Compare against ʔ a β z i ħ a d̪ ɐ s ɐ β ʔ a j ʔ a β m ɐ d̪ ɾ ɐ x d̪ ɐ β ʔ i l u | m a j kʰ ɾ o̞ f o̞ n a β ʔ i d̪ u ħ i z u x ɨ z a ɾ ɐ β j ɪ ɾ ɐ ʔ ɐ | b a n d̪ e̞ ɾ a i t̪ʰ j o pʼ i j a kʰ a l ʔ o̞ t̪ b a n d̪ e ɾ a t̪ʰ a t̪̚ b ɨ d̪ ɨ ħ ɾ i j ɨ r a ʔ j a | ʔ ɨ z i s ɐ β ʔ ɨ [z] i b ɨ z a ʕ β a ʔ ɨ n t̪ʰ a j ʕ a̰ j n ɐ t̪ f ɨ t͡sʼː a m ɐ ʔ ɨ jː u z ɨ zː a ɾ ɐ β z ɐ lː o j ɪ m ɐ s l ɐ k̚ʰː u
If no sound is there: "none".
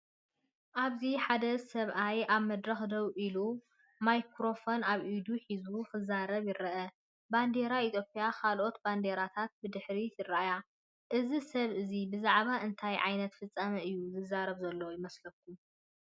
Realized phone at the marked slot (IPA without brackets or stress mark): z